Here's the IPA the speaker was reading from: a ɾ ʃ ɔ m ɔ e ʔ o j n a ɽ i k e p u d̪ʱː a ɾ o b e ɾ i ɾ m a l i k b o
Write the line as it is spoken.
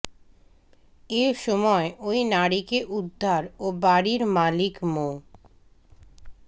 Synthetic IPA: e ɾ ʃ ɔ m ɔ e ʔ o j n a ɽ i k e ʔ u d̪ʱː a ɾ o b a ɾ i ɾ m a l i k m o